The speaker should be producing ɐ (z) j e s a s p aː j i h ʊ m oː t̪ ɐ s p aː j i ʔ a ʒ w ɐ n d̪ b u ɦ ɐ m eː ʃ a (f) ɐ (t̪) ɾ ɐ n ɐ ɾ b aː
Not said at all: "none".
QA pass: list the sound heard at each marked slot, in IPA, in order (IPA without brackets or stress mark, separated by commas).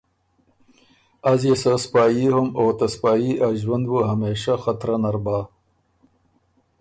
z, x, t̪